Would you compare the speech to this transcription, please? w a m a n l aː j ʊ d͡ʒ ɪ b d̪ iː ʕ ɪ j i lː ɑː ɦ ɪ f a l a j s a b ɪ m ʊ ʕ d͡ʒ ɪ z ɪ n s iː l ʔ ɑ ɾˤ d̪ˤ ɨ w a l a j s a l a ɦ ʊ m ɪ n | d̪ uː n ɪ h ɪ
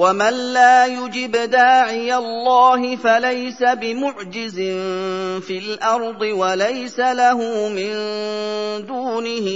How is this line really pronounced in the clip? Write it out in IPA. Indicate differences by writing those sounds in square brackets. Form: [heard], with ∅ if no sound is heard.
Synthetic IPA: w a m a n l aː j ʊ d͡ʒ ɪ b d̪ [aː] ʕ ɪ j [a] lː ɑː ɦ ɪ f a l a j s a b ɪ m ʊ ʕ d͡ʒ ɪ z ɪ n [f] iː l ʔ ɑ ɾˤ d̪ˤ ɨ w a l a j s a l a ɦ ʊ m ɪ n | d̪ uː n ɪ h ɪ